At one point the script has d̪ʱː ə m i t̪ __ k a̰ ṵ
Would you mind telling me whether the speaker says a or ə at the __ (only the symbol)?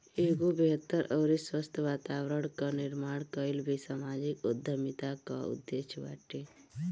a